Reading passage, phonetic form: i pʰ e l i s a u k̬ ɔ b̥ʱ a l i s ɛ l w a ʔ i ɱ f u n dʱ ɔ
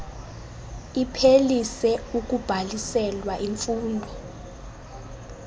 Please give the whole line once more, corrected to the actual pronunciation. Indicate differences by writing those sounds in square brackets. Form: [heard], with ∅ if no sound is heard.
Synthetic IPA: i pʰ e l i s [ɛ] u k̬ [u] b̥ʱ a l i s ɛ l w a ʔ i ɱ f [uː] n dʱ ɔ